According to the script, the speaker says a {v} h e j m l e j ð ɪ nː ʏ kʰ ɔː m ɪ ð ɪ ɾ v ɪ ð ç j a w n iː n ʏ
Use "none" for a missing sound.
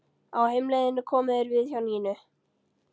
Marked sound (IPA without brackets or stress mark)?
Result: w